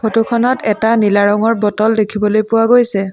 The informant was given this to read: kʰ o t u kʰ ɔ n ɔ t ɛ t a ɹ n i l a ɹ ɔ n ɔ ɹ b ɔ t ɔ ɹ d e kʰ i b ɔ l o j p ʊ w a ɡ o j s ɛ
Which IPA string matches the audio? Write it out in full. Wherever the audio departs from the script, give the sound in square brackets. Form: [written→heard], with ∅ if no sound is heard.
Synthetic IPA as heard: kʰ o t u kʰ ɔ n ɔ t ɛ t a [ɹ→∅] n i l a ɹ ɔ [n→ŋ] ɔ ɹ b ɔ t ɔ [ɹ→l] d e kʰ i b ɔ l o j p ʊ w a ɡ o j s ɛ